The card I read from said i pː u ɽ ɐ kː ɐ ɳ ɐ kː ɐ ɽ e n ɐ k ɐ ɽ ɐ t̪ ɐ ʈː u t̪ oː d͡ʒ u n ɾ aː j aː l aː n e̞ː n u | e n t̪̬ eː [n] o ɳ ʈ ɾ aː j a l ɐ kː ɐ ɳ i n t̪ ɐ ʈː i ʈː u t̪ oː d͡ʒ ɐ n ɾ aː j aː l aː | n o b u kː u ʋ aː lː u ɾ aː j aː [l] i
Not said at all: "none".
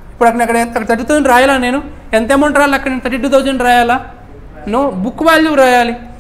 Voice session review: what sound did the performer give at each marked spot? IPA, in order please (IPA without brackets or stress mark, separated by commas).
m, l